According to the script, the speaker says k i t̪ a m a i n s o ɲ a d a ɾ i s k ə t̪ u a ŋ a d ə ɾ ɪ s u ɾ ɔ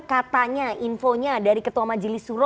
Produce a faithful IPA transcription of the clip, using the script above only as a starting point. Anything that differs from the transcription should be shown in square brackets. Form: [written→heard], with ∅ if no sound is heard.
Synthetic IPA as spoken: k [i→a] t̪ a [m→ɲ] a i n [s→f] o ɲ a d a ɾ i [s→∅] k ə t̪ u a [ŋ→m] a [d→d͡ʒ] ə [ɾ→l] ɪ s u ɾ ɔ